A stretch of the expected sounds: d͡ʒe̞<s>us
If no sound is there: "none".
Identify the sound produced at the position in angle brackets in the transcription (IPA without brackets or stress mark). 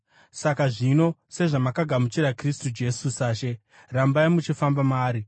s